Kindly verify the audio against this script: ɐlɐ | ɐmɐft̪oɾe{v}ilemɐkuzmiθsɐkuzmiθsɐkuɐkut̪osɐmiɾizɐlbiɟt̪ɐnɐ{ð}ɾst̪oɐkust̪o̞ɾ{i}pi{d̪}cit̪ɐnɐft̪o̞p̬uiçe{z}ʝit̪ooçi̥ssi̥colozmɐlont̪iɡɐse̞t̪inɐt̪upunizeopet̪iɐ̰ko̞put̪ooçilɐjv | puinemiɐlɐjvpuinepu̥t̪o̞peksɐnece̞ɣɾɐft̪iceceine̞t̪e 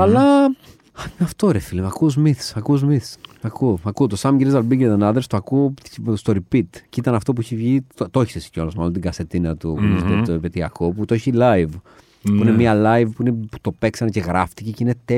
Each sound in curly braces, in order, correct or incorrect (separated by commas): incorrect, correct, correct, incorrect, incorrect